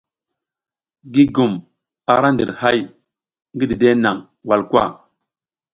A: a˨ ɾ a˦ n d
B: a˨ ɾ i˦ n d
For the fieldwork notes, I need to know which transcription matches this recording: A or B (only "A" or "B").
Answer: A